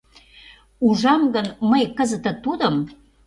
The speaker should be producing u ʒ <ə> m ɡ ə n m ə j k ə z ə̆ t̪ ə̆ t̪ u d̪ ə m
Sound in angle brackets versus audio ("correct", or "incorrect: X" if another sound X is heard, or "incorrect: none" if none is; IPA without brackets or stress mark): incorrect: ɑ